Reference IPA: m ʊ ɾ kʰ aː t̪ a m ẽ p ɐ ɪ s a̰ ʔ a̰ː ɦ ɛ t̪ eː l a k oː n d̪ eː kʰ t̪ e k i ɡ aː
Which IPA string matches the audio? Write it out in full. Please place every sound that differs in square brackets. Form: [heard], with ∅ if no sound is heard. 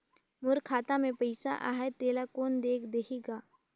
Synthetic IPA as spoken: m ʊ ɾ kʰ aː t̪ a m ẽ p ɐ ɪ s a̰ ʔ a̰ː ɦ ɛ t̪ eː l a k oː n d̪ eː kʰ [d̪] e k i ɡ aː